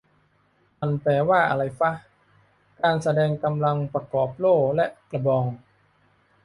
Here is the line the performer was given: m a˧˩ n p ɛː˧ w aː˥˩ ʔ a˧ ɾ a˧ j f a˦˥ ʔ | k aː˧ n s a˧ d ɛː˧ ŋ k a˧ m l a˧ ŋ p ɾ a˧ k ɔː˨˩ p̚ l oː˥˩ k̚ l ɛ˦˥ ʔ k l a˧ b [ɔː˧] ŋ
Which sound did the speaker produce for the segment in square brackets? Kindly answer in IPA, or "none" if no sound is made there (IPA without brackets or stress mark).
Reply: ɔː˧